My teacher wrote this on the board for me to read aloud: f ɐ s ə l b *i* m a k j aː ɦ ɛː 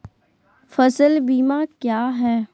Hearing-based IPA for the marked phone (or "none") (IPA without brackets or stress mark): iː